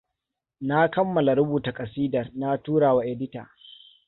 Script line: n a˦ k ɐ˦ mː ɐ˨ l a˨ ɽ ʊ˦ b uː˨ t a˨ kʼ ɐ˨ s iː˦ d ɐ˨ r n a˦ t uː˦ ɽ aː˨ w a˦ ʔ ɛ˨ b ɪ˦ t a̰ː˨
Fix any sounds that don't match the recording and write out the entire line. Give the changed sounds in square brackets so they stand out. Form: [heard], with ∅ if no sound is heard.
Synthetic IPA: n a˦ k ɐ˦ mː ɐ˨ l a˨ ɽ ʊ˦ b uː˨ t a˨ kʼ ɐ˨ s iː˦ d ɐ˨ r n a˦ t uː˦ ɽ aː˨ w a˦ ʔ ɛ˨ [d] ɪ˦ t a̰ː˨

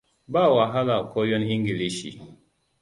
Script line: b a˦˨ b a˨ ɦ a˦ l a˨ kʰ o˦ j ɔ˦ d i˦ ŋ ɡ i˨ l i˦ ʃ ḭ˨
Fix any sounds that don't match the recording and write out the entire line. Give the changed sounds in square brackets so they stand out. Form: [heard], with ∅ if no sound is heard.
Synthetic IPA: b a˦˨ [w] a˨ ɦ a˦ l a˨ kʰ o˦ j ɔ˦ [n] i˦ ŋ ɡ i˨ l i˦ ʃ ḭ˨

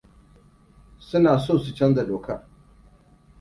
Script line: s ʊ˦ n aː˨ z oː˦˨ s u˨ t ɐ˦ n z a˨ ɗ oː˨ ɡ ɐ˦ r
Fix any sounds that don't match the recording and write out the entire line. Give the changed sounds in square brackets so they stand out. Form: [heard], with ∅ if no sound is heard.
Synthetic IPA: s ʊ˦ n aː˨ [s] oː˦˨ s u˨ [t͡ʃ] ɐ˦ n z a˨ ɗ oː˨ [k] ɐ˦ r

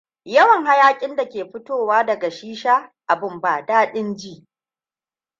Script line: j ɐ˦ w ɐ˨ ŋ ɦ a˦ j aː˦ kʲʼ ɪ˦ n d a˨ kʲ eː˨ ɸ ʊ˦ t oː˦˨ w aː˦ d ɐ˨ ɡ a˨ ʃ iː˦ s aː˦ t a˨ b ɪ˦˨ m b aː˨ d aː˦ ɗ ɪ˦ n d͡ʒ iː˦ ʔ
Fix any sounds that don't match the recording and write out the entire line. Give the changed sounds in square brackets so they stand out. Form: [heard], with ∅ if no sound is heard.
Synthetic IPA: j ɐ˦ w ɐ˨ ŋ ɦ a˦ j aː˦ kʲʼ ɪ˦ n d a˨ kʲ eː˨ ɸ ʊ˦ t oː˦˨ w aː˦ d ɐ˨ ɡ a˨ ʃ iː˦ [ʃ] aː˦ [ʔ] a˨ b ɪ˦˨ m b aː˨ d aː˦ ɗ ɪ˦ n d͡ʒ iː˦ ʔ

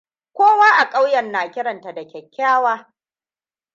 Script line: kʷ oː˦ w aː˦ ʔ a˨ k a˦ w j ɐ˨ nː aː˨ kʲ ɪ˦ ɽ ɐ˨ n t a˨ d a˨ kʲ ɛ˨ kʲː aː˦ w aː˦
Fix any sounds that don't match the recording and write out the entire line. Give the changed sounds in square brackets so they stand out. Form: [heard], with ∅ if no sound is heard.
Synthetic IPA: kʷ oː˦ w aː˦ ʔ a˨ [kʼ] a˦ w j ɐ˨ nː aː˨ kʲ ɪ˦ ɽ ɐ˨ n t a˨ d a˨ kʲ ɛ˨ kʲː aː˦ w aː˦

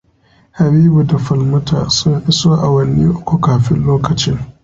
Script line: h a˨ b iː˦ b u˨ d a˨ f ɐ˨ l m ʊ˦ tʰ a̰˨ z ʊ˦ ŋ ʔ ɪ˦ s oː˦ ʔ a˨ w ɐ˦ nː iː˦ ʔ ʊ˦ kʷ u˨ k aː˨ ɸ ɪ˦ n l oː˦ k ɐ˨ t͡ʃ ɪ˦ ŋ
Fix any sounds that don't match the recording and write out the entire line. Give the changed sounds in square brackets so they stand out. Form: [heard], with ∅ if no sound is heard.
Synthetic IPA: h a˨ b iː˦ b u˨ d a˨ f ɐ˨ l m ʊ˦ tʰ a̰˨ [s] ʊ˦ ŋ ʔ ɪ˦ s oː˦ ʔ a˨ w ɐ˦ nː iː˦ ʔ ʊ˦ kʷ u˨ k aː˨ ɸ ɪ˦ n l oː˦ k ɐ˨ t͡ʃ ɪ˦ ŋ

